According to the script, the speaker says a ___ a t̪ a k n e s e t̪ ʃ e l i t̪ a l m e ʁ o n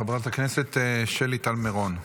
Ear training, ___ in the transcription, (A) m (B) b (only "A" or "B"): B